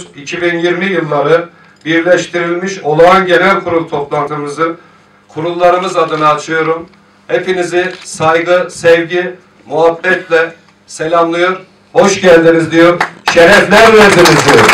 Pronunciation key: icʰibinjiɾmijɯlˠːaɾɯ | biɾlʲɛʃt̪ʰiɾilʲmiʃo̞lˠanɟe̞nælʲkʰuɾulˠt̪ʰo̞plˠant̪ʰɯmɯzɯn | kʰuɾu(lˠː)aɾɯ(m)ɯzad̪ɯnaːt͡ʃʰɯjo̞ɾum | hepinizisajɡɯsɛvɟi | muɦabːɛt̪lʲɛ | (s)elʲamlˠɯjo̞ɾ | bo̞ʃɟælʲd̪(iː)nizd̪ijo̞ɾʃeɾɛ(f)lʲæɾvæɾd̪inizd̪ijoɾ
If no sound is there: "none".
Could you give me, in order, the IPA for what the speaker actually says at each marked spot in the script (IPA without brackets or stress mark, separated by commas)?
lˠː, m, s, i, f